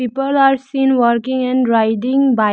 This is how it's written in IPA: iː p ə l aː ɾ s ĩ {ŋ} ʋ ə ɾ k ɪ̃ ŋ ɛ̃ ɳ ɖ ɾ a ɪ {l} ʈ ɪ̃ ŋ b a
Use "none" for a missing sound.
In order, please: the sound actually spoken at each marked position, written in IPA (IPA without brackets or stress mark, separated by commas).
n, none